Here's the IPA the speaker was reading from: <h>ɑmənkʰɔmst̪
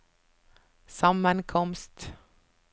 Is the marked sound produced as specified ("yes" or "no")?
no